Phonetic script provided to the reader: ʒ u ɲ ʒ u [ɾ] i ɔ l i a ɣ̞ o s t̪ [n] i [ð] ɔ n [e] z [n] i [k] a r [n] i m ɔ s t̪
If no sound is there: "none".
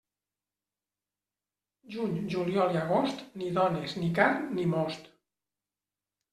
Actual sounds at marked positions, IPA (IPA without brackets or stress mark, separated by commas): l, n, ð, e, n, k, n